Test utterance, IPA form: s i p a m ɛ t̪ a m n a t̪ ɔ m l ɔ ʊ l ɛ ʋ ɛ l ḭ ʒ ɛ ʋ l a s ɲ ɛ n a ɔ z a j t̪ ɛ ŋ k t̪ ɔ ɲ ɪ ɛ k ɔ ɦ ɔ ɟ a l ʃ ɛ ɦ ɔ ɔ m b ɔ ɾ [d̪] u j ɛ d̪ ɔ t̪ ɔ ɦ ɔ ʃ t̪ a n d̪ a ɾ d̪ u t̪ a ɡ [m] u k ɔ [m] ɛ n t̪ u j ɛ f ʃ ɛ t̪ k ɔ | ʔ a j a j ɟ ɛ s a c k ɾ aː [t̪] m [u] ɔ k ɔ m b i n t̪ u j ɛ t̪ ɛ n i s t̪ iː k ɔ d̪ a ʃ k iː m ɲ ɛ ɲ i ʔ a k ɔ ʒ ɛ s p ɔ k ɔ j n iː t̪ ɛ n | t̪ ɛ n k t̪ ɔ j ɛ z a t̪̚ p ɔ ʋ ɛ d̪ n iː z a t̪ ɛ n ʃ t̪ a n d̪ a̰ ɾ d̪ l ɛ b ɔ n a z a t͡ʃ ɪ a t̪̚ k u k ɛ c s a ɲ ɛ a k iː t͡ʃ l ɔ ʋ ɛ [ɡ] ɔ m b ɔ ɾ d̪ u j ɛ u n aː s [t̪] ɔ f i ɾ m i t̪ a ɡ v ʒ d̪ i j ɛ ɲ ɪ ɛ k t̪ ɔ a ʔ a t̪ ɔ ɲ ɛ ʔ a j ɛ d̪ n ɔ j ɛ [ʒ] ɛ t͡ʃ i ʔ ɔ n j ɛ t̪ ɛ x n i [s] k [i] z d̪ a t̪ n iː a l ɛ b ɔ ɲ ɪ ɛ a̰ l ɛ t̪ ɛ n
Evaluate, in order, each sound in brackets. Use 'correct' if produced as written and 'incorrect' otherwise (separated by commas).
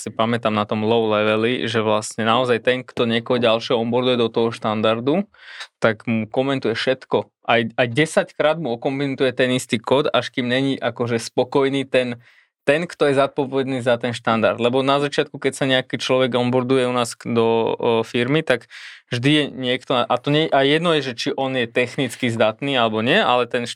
correct, correct, correct, incorrect, correct, correct, incorrect, correct, incorrect, correct